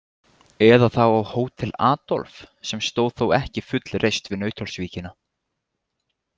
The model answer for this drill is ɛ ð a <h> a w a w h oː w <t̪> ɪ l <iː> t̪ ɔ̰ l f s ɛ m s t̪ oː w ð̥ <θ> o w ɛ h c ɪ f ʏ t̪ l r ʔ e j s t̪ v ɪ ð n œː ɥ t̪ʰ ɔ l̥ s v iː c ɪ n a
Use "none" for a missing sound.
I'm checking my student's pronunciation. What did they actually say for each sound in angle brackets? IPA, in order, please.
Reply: θ, t̪ʰ, aː, θ

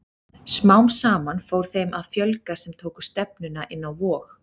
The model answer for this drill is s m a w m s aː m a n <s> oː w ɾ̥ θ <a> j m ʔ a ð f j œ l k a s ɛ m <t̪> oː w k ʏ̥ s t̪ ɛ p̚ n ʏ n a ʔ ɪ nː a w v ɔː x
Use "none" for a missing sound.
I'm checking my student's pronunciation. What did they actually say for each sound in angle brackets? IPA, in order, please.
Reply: f, e, t̪ʰ

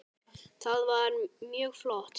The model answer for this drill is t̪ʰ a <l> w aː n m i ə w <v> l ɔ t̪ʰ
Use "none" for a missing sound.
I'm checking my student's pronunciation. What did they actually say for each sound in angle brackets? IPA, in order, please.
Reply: l, f

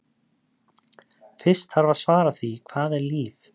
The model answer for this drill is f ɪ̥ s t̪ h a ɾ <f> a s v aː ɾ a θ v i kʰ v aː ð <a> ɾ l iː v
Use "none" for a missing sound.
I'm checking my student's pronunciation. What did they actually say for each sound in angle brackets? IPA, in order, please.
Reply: v, ɛ

